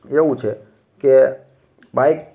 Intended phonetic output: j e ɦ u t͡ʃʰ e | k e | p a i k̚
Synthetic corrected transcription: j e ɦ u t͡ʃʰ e | k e | b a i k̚